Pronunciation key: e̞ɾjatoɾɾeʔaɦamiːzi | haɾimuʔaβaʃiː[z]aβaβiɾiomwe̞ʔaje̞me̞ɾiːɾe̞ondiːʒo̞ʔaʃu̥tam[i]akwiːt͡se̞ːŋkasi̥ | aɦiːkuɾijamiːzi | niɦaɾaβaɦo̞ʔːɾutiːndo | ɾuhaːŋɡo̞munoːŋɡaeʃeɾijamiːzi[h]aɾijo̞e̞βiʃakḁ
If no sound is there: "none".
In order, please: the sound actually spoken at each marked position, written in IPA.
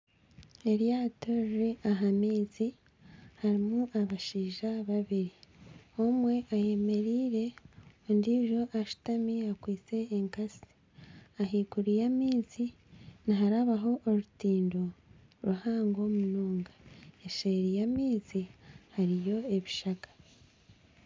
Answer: ʒ, i, h

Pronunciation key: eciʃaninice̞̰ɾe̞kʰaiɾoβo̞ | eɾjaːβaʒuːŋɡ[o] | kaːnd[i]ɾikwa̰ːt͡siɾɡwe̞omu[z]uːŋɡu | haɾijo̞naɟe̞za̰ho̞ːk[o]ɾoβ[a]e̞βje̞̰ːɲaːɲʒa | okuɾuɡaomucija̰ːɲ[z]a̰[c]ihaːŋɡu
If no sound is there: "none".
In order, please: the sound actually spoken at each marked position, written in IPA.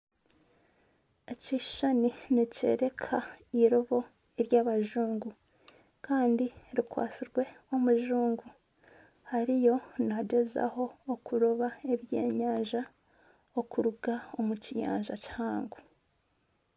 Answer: u, i, ʒ, u, a, ʒ, c

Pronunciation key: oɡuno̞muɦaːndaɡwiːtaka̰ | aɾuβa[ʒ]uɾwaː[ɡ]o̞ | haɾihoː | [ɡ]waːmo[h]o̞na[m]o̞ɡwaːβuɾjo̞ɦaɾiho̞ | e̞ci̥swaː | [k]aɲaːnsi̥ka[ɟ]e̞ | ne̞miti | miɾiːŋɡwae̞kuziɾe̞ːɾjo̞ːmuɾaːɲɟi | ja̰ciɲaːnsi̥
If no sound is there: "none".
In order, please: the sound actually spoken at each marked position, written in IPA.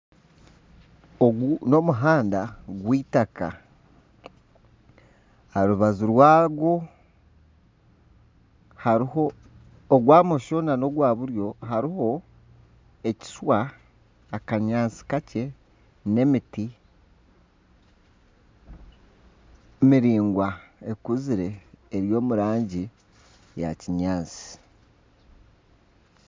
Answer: z, ɡ, ɡ, ʃ, n, k, c

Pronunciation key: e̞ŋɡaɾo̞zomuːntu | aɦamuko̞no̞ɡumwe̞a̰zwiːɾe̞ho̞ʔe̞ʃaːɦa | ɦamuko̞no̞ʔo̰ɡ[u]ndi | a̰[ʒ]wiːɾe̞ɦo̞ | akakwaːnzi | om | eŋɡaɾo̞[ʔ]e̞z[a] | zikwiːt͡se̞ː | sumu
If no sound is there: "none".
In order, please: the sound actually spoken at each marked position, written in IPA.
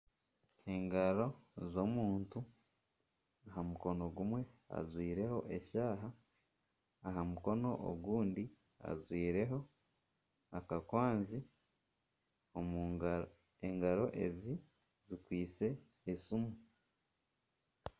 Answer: uː, z, ʔ, i

